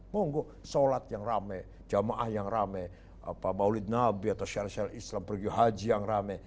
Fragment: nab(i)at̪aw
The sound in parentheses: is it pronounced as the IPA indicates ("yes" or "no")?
yes